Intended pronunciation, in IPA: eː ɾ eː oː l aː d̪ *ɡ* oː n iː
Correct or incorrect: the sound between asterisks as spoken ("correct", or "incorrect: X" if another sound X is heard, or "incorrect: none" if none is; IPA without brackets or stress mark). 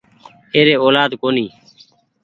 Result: incorrect: k